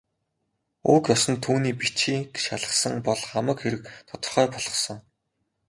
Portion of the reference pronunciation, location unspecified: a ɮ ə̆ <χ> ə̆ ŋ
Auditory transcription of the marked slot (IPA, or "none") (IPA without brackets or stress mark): s